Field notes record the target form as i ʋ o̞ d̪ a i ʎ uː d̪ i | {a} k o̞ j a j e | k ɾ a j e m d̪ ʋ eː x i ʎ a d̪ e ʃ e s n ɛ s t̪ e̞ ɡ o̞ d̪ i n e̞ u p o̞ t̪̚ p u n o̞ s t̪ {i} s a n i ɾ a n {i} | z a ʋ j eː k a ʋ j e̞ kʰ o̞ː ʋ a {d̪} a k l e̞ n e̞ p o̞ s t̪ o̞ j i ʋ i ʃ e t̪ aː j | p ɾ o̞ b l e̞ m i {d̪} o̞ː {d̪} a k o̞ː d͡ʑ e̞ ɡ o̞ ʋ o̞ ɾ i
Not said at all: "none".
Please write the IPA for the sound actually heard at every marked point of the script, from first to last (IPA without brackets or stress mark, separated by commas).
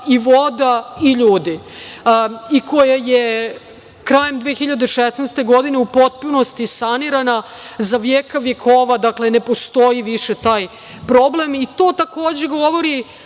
i, i, a, d̪, t̪, t̪